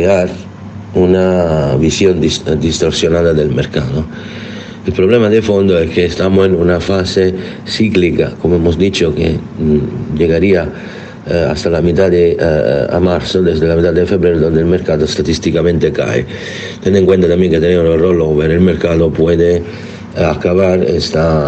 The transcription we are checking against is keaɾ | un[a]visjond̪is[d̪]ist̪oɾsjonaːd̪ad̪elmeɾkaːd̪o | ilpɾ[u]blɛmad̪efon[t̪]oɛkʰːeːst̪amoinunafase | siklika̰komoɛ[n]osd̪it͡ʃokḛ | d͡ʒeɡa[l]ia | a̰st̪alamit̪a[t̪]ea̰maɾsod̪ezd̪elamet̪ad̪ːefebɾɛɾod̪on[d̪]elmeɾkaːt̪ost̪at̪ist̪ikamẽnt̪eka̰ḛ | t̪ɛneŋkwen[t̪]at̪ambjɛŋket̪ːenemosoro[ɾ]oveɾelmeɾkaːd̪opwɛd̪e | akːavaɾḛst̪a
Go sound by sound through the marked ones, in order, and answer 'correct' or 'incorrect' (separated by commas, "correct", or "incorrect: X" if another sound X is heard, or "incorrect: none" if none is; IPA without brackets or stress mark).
correct, correct, incorrect: o, incorrect: d̪, incorrect: m, incorrect: ɾ, incorrect: d̪, correct, correct, incorrect: l